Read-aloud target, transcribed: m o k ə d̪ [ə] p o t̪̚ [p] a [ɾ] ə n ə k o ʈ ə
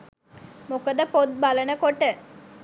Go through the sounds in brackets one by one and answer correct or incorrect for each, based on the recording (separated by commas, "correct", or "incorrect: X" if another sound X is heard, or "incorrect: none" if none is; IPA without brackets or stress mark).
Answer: correct, incorrect: b, incorrect: l